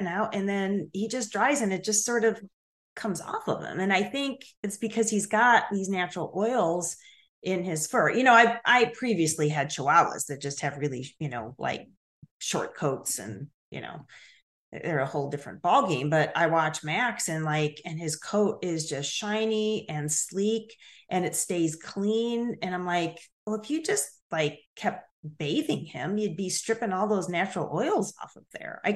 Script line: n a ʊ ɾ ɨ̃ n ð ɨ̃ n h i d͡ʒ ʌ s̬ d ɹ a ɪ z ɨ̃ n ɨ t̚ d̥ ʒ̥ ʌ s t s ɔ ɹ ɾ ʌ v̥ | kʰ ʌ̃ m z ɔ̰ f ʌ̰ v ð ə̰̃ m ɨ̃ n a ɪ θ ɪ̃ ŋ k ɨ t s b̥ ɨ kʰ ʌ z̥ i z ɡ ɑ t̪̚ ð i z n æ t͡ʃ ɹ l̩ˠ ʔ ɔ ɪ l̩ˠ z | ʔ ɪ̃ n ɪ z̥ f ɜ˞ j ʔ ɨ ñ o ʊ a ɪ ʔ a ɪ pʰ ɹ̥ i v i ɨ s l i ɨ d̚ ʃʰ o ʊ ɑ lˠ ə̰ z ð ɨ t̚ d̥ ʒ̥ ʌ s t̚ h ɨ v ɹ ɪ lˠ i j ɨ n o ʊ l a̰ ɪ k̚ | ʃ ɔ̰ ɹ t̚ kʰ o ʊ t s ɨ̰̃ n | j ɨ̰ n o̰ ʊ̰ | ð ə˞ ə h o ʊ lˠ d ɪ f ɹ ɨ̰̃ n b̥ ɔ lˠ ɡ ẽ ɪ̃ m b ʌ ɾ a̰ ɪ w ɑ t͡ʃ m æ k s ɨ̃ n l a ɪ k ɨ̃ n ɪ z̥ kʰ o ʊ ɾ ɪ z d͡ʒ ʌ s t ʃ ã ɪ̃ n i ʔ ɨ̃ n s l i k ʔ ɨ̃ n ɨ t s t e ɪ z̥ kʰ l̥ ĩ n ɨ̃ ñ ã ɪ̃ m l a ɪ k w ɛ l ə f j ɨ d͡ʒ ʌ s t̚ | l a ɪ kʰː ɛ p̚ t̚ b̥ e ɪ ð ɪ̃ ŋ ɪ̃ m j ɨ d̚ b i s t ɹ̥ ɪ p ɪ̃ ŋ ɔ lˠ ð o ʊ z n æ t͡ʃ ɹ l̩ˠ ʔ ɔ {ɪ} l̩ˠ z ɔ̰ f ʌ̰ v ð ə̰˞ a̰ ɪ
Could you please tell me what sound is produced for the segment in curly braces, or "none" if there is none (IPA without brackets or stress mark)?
ɪ